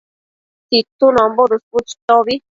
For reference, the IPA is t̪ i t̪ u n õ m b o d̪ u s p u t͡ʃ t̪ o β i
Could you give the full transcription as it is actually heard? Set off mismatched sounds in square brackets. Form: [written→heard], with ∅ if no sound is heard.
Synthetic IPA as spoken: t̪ i t̪ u n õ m b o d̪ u s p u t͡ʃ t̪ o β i